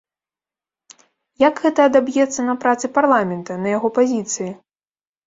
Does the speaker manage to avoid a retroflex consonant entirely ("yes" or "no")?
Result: yes